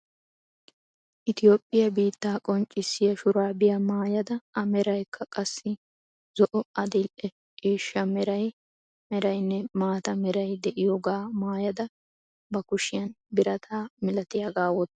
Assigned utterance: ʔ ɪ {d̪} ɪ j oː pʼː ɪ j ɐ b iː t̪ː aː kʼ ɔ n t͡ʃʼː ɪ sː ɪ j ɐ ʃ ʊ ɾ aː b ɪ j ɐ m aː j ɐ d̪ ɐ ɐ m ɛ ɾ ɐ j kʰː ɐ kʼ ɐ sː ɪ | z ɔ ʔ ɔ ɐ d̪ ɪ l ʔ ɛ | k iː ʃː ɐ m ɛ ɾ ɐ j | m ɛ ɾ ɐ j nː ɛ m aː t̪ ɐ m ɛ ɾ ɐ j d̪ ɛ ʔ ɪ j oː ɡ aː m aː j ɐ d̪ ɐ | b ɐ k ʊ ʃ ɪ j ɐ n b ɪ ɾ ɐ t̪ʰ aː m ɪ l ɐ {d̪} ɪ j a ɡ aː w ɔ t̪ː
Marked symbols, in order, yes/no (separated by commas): no, no